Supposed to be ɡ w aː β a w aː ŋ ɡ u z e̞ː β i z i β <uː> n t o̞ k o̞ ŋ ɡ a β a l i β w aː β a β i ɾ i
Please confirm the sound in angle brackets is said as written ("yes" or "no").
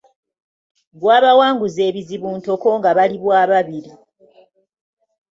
yes